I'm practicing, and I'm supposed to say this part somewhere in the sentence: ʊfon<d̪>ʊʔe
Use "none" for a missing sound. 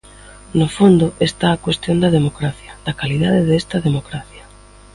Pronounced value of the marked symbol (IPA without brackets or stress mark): d̪